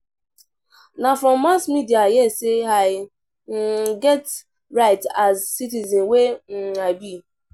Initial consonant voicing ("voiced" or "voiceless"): voiced